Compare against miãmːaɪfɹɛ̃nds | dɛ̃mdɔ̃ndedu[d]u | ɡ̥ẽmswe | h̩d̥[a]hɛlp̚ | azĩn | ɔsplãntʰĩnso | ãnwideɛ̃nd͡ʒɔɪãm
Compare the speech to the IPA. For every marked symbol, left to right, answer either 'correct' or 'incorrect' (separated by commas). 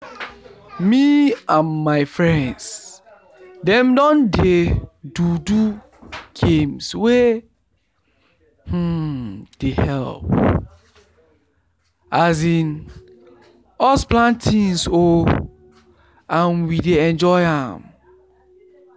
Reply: correct, incorrect